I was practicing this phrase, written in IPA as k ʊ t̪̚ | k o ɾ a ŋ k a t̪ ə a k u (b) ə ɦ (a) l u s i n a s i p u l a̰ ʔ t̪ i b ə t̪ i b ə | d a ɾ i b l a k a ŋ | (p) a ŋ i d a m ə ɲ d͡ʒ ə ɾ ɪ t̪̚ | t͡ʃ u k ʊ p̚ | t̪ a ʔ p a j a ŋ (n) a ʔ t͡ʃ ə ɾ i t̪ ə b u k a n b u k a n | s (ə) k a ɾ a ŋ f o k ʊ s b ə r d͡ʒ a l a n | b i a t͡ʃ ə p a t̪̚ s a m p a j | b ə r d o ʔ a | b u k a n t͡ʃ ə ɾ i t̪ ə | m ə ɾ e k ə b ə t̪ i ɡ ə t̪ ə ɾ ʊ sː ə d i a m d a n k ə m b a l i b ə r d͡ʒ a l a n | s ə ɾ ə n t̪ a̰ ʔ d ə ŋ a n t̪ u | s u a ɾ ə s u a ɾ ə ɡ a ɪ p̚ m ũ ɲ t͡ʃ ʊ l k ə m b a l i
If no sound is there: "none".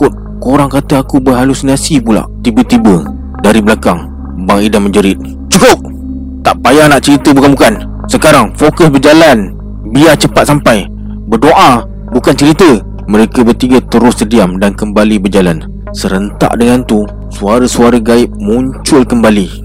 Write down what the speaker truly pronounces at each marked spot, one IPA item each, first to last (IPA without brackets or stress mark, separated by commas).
b, a, b, n, ə